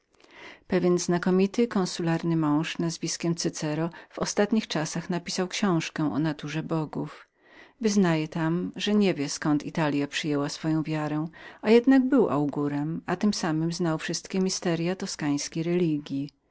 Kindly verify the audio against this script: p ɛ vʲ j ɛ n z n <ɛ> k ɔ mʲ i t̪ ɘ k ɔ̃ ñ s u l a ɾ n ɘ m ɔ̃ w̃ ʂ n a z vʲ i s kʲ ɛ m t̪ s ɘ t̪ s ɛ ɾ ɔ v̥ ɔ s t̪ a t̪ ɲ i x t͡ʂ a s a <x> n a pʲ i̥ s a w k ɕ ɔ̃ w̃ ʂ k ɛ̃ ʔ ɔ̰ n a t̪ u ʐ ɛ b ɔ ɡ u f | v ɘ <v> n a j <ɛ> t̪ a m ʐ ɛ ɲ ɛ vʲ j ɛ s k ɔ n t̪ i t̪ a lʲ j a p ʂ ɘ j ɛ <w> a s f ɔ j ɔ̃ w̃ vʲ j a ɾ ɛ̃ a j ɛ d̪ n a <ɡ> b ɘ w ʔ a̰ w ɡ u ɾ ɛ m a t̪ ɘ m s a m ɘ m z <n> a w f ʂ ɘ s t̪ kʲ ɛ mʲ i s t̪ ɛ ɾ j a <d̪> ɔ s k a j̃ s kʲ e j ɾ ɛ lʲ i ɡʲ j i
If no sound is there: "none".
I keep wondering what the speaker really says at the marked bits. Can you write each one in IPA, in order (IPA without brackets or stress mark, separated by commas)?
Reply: a, x, z, ɛ, w, ɡ, n, t̪